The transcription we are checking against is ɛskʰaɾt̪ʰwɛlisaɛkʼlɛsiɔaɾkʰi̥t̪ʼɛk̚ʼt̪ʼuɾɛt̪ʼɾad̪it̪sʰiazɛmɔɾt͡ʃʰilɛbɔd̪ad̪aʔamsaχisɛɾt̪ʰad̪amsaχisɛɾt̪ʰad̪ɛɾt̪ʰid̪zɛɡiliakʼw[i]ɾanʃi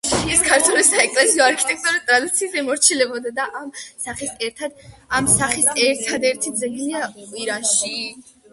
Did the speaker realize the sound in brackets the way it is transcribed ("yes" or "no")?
yes